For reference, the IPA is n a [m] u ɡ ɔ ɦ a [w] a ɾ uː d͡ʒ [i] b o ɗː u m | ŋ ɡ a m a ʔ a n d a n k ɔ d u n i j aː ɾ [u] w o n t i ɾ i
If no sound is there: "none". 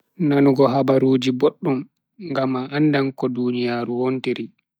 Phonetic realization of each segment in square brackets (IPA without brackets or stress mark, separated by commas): n, b, i, u